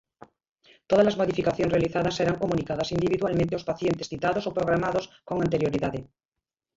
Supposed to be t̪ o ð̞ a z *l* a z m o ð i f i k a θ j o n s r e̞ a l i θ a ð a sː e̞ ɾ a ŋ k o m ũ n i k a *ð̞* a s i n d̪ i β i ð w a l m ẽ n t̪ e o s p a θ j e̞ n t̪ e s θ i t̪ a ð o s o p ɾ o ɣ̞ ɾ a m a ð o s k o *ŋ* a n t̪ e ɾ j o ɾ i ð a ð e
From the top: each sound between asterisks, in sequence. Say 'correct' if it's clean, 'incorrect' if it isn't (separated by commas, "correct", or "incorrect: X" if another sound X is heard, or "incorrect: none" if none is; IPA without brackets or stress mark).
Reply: correct, correct, correct